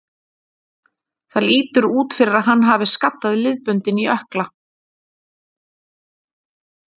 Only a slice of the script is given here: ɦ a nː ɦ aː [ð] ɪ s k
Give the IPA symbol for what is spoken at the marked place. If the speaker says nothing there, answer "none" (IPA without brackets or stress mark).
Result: v